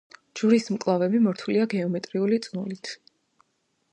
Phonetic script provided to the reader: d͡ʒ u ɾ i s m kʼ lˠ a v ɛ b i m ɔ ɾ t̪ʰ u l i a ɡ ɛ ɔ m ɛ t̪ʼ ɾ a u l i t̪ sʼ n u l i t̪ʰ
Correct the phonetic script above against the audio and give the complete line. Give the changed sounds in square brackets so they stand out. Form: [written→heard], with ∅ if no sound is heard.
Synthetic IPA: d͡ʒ u ɾ i s m kʼ lˠ a v ɛ b i m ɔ ɾ t̪ʰ u l i a ɡ ɛ ɔ m ɛ t̪ʼ ɾ [a→i] u l i t̪ sʼ n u l i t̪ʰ